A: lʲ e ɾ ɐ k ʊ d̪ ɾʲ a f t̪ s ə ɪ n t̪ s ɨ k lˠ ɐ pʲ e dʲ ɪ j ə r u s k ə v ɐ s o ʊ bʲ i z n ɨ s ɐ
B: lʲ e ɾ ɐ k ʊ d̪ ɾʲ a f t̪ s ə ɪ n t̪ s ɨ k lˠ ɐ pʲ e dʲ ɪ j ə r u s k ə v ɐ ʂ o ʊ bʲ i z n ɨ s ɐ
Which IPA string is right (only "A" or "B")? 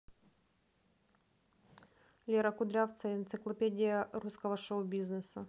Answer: B